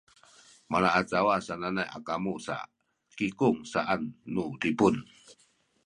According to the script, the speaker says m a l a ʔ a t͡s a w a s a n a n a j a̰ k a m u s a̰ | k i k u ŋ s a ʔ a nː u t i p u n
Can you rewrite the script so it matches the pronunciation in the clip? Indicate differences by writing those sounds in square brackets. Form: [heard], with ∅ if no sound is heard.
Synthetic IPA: m a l a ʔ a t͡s a w a s a n a n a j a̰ k a m u s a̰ | k i k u ŋ s a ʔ a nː u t i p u n